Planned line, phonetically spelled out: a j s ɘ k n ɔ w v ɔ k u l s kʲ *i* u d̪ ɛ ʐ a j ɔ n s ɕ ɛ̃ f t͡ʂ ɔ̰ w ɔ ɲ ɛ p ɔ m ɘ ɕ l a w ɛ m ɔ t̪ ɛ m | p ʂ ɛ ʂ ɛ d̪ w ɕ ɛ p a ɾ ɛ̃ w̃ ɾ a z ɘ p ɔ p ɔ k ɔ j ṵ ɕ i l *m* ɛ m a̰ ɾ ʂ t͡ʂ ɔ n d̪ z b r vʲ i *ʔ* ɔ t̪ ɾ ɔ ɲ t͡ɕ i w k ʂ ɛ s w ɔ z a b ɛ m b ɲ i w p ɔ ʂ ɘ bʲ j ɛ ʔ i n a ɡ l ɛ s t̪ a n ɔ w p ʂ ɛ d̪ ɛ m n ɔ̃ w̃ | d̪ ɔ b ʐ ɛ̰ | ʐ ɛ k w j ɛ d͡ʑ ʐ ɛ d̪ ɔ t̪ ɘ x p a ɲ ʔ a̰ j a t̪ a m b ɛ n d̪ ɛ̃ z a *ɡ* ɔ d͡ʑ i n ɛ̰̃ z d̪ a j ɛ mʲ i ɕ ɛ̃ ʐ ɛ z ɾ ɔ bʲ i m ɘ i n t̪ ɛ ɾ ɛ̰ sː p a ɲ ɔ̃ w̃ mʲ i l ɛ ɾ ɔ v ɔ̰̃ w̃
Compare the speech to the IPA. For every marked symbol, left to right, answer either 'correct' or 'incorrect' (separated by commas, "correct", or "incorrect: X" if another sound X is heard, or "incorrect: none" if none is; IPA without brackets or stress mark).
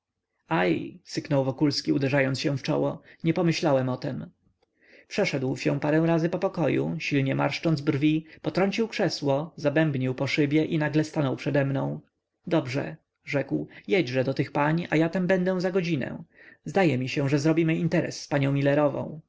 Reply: correct, incorrect: ɲ, incorrect: p, correct